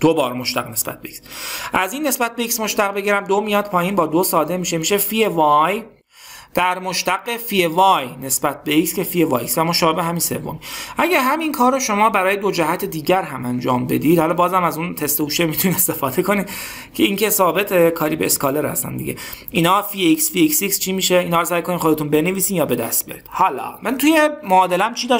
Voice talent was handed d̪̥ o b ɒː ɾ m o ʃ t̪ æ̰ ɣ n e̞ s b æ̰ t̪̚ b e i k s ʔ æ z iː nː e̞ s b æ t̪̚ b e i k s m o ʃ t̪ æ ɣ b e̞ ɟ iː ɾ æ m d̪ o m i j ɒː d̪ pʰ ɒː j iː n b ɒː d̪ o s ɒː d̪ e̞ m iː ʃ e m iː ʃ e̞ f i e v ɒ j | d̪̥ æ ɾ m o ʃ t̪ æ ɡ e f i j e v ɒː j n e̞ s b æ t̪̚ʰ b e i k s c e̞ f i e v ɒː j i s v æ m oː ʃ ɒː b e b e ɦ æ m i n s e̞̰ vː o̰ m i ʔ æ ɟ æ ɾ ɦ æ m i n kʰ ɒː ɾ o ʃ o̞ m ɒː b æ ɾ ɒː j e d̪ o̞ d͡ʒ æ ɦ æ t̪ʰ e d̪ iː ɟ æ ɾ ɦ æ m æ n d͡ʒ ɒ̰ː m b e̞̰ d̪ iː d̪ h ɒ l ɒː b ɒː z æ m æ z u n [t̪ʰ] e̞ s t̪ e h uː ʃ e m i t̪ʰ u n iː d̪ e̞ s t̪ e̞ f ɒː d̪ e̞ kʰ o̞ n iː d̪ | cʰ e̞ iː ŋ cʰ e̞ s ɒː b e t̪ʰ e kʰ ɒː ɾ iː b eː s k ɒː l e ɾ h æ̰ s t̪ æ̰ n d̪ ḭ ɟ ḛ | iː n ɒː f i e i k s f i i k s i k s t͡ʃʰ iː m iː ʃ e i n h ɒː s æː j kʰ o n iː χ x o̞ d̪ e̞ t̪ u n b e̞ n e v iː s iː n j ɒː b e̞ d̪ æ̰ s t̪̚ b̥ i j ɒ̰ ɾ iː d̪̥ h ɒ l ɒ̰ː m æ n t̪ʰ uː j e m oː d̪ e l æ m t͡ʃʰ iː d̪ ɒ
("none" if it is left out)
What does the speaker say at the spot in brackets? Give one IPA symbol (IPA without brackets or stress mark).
t̪ʰ